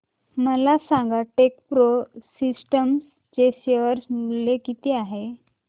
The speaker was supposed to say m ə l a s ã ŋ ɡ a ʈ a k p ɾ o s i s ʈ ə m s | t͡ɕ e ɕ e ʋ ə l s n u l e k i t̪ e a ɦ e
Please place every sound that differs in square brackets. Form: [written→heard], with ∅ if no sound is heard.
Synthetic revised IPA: m ə l a s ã ŋ ɡ a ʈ [a→e] k p ɾ o s i s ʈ ə m s | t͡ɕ e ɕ e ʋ ə [l→ɾ] s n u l e k i t̪ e a ɦ e